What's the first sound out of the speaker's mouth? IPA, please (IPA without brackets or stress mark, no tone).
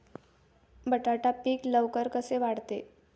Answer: b